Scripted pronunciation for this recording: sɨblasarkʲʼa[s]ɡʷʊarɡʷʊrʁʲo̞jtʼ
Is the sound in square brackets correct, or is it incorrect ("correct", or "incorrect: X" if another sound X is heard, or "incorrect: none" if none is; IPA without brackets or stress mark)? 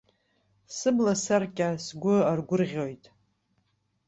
correct